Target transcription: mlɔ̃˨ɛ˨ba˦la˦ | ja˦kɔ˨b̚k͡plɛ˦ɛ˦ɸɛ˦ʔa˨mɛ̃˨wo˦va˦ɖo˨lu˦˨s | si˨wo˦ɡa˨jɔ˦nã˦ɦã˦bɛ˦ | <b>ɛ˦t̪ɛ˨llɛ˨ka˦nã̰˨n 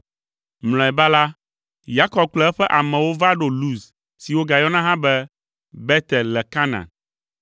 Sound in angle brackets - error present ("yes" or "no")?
no